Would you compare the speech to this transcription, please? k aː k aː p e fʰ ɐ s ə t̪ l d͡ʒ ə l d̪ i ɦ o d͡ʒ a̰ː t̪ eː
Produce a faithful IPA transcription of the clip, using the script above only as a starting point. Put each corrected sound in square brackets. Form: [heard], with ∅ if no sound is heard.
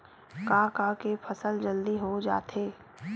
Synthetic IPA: k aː k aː [k] e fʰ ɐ s ə [∅] l d͡ʒ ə l d̪ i ɦ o d͡ʒ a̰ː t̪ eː

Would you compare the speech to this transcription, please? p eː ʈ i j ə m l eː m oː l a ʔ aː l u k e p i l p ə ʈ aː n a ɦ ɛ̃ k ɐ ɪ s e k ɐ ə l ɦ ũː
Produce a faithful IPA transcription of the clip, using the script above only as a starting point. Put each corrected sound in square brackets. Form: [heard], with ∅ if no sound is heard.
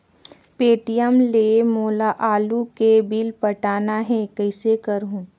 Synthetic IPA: p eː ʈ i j ə m l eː m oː l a ʔ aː l u k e [b] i l p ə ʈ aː n a ɦ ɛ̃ k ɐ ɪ s e k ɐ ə [ɾ] ɦ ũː

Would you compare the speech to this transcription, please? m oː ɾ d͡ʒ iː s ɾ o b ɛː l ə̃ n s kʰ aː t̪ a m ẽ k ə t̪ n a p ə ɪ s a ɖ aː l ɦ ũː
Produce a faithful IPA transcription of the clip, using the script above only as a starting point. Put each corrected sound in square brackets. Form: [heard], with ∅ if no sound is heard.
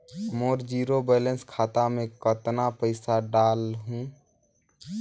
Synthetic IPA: m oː ɾ d͡ʒ iː [∅] ɾ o b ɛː l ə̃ n s kʰ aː t̪ a m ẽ k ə t̪ n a p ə ɪ s a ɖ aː l ɦ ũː

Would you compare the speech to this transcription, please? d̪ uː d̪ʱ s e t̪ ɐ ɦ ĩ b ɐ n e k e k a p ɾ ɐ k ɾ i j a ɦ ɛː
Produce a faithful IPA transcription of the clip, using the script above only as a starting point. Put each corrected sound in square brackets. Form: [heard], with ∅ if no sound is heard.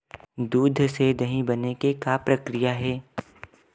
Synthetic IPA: d̪ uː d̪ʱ s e [d̪] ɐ ɦ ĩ b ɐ n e k e k a p ɾ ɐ k ɾ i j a ɦ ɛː

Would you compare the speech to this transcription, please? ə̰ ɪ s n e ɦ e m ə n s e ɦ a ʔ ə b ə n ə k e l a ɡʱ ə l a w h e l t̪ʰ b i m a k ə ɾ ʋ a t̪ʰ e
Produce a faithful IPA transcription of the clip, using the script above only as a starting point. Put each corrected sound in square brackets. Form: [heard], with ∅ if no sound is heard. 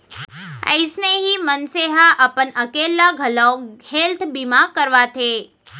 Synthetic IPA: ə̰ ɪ s n e ɦ [i] m ə n s e ɦ a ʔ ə [p] ə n ə k e l a ɡʱ ə l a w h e l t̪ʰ b i m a k ə ɾ ʋ a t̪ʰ e

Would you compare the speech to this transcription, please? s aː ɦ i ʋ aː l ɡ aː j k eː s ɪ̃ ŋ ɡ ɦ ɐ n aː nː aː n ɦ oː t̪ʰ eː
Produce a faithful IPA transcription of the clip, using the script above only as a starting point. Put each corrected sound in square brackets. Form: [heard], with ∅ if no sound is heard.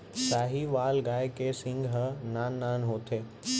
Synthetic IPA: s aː ɦ i ʋ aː l ɡ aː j k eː s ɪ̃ ŋ ɡ ɦ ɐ n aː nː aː n ɦ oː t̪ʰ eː

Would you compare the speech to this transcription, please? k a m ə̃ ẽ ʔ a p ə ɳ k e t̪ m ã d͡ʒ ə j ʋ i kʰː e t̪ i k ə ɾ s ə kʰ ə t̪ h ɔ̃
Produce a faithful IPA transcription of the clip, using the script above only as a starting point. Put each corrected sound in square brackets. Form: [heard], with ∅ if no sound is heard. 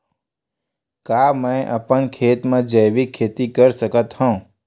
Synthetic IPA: k a m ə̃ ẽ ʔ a p ə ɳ [kʰ] e t̪ m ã d͡ʒ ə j ʋ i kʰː e t̪ i k ə ɾ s ə [k] ə t̪ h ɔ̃

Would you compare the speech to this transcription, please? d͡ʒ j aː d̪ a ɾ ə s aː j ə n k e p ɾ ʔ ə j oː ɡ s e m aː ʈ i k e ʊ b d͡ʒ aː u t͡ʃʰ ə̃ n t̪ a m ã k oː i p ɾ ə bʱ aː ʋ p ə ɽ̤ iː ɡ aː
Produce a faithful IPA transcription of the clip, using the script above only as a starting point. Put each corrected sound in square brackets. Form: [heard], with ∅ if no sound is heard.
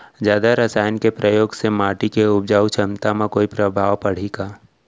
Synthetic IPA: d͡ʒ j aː d̪ a ɾ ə s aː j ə n k e p ɾ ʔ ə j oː ɡ s e m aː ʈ i k e ʊ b d͡ʒ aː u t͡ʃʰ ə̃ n t̪ a m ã k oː i p ɾ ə bʱ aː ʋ p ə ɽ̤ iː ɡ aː

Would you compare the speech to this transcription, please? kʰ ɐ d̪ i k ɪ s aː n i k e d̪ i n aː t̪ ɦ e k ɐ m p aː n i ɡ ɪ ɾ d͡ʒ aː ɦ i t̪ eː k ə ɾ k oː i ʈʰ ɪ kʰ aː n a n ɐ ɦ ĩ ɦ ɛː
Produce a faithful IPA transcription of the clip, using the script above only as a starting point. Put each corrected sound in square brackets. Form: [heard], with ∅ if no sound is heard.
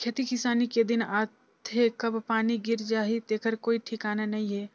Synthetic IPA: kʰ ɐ [t̪] i k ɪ s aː n i k e d̪ [ɪ] n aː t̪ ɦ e k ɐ [b] p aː n i ɡ ɪ ɾ d͡ʒ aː ɦ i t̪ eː k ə ɾ k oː i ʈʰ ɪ [k] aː n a n ɐ ɦ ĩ ɦ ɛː

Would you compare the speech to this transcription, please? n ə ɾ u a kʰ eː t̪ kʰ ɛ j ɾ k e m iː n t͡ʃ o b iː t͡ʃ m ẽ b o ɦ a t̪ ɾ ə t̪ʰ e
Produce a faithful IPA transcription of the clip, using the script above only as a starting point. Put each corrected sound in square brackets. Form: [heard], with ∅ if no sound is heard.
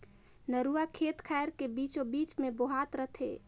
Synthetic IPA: n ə ɾ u a kʰ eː t̪ kʰ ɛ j ɾ k e [b] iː [∅] t͡ʃ o b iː t͡ʃ m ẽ b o ɦ a t̪ ɾ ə t̪ʰ e

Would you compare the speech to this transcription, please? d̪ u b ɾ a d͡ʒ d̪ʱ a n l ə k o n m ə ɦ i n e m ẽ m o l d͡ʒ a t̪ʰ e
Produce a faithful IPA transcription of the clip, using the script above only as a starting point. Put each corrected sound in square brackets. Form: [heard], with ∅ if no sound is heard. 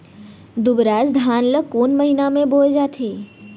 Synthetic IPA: d̪ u b ɾ a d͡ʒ d̪ʱ a n l ə k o n m ə ɦ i n [a] m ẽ [b] o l d͡ʒ a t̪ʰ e

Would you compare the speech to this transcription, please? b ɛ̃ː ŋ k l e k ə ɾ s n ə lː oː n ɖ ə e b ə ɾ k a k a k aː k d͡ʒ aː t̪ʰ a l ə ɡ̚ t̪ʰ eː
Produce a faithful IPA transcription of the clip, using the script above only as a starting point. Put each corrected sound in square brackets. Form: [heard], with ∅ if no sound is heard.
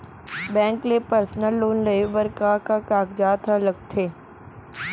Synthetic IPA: b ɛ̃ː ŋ k l e [p] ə ɾ s n ə lː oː n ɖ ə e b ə ɾ k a k a k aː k d͡ʒ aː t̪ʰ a l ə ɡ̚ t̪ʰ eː

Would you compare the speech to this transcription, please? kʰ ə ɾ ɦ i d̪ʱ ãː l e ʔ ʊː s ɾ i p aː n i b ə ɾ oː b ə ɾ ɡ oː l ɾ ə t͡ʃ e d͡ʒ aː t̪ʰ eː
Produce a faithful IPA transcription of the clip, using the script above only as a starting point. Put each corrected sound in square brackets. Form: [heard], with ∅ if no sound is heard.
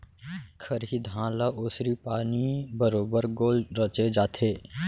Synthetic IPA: kʰ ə ɾ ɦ i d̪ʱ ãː l [a] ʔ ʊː s ɾ i p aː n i b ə ɾ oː b ə ɾ ɡ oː l ɾ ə t͡ʃ e d͡ʒ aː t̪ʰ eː

